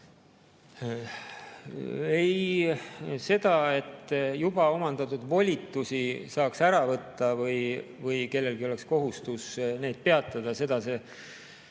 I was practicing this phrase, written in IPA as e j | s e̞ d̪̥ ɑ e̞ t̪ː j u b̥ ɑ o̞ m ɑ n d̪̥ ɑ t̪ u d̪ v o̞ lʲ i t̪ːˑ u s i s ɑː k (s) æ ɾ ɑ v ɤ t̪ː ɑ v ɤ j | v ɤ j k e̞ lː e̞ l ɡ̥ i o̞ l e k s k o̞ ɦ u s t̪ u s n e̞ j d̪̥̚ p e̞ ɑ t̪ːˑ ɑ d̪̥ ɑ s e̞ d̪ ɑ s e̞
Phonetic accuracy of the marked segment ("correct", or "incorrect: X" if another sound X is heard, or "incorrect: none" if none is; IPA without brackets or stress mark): correct